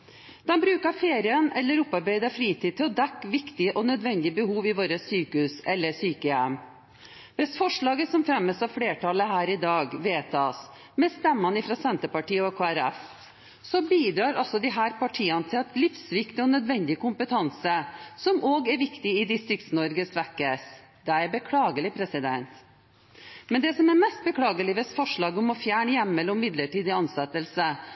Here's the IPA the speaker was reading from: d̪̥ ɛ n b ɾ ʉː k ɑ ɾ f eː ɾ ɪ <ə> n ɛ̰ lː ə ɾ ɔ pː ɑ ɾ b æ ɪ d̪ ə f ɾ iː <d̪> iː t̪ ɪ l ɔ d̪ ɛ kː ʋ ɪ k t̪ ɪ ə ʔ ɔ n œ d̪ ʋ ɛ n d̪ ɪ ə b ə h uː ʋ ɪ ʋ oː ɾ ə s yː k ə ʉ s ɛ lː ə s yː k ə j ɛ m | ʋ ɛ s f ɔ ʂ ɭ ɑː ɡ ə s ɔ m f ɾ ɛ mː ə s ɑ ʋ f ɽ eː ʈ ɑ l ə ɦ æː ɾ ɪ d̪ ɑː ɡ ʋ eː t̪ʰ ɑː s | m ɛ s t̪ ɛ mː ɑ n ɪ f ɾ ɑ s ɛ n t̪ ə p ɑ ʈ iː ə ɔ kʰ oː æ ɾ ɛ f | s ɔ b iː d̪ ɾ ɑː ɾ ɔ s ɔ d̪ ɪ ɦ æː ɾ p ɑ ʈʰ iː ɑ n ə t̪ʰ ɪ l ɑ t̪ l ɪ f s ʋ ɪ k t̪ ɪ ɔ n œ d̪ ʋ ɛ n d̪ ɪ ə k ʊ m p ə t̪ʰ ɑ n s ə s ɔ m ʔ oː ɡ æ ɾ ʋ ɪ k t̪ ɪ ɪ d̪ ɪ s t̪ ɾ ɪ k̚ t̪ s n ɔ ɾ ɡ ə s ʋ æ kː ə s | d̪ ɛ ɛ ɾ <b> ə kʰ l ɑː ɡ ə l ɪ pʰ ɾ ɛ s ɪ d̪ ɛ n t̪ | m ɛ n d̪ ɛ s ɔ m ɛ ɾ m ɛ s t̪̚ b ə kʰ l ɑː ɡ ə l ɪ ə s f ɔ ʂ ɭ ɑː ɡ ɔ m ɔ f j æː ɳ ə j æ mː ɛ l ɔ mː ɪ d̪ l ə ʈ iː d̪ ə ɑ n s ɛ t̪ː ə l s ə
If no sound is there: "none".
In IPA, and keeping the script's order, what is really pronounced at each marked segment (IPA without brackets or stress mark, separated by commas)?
ə, t̪, b